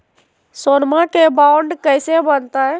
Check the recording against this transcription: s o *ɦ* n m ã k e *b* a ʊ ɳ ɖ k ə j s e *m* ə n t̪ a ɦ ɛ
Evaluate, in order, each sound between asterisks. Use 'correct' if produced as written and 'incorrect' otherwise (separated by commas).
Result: incorrect, correct, incorrect